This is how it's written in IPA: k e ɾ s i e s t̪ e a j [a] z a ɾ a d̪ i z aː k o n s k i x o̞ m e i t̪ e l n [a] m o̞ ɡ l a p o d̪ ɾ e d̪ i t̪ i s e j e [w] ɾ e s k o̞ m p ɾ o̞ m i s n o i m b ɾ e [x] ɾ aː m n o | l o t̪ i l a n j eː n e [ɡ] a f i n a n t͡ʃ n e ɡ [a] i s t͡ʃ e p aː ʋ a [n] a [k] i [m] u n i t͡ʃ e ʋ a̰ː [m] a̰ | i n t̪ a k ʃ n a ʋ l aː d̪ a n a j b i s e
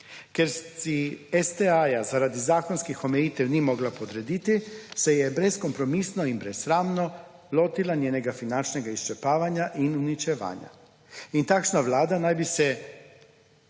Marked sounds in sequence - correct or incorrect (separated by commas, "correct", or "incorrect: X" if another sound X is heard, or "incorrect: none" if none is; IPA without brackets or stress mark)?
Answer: correct, incorrect: i, incorrect: b, incorrect: s, correct, correct, incorrect: ɲ, incorrect: ʔ, incorrect: n, incorrect: ɲ